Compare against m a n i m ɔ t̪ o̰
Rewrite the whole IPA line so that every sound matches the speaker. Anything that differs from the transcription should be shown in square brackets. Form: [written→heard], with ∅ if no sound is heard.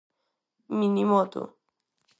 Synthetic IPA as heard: m [a→i] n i m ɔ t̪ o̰